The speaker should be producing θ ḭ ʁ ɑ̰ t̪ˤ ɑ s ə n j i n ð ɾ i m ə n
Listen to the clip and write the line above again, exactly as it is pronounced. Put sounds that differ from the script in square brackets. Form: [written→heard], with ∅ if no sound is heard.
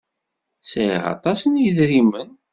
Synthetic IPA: [θ→s] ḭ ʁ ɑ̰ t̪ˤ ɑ s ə n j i [n→∅] ð ɾ i m ə n